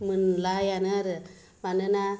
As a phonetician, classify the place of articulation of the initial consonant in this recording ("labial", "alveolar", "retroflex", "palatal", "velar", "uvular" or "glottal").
labial